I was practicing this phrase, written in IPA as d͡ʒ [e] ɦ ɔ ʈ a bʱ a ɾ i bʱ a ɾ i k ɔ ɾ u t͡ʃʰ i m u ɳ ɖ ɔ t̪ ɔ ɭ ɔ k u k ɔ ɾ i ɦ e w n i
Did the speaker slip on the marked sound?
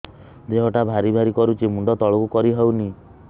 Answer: no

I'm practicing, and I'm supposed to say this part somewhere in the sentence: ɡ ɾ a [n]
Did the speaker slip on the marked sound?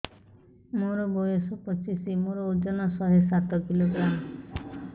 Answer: yes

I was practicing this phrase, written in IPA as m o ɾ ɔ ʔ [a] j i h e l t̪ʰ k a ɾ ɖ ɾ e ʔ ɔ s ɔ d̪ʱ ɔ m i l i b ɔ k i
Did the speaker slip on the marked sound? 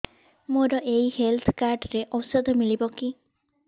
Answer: yes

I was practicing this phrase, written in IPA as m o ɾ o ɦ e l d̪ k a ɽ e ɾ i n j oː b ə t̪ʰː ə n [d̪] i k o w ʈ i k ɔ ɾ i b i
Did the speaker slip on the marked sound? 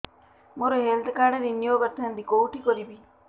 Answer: no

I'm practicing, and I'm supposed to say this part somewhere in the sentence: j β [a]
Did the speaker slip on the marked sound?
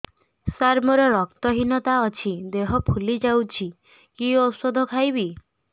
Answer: yes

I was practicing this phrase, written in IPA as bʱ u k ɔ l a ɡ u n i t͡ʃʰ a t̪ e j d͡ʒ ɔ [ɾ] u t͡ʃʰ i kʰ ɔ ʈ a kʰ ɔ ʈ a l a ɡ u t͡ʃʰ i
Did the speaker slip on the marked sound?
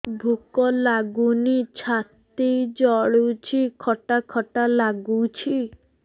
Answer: yes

